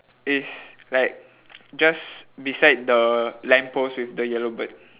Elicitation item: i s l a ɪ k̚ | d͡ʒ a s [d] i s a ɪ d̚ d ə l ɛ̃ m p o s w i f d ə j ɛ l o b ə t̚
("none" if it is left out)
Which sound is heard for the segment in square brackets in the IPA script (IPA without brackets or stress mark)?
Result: b